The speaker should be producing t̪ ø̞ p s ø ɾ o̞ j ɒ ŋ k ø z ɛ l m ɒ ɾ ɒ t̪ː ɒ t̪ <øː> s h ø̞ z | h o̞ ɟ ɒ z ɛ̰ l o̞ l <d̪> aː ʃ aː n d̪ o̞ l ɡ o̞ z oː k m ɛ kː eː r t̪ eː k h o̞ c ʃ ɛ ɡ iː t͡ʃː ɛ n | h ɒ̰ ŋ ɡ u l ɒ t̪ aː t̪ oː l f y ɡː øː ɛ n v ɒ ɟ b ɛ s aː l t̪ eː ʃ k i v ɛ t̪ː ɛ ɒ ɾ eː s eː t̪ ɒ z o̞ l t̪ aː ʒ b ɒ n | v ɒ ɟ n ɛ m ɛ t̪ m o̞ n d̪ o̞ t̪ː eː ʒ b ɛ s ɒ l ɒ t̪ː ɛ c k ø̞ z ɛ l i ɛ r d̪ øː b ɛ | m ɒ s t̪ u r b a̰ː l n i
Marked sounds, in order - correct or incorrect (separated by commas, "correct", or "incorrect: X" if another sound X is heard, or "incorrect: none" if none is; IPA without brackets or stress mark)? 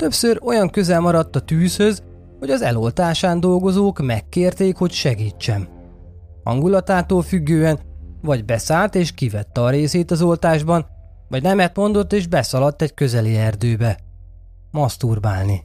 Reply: incorrect: yː, incorrect: t̪